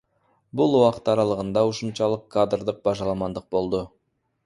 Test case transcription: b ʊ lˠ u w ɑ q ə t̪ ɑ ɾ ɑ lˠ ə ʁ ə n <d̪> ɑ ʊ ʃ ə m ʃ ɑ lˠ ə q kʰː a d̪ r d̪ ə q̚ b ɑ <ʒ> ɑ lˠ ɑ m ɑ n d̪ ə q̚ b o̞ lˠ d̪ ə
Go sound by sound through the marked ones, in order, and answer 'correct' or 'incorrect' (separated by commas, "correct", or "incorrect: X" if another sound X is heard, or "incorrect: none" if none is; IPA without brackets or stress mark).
correct, correct